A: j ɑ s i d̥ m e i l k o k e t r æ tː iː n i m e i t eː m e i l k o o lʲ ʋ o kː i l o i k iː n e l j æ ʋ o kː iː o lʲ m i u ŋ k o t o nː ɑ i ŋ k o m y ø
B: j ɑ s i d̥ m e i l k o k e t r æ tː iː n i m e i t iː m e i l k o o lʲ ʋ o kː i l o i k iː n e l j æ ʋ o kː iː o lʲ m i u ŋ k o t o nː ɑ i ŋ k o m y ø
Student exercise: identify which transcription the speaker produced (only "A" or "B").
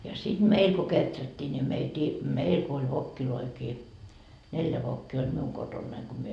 B